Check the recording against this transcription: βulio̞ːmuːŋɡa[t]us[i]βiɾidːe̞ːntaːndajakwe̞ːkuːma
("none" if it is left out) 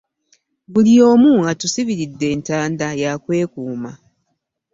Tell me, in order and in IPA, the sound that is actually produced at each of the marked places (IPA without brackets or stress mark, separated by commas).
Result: t, i